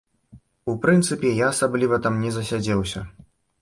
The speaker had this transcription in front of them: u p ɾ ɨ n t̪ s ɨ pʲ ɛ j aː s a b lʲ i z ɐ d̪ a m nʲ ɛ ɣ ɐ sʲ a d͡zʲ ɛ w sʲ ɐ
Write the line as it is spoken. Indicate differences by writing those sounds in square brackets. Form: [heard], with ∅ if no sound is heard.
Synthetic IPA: u p ɾ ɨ n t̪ s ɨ pʲ ɛ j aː s a b lʲ i [v] ɐ [t̪] a m nʲ ɛ [z] ɐ sʲ a d͡zʲ ɛ w sʲ ɐ